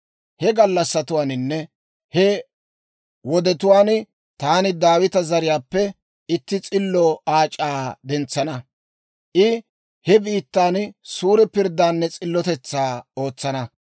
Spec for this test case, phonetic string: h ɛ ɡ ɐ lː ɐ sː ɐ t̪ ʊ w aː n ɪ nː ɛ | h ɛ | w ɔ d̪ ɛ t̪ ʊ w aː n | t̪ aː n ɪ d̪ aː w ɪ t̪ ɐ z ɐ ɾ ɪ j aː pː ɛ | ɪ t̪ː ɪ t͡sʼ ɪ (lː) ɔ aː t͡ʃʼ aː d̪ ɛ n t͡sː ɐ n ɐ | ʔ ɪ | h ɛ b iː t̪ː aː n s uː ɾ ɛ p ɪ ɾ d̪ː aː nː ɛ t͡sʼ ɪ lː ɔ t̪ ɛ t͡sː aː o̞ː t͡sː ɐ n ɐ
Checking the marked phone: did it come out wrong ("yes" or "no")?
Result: no